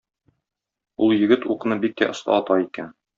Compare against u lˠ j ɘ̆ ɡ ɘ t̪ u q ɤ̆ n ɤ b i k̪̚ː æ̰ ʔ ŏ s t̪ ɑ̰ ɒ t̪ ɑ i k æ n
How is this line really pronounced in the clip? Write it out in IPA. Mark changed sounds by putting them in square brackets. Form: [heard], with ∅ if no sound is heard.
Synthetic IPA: u lˠ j ɘ̆ ɡ ɘ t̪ u q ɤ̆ n ɤ b i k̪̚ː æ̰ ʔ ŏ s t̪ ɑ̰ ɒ t̪ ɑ i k æ n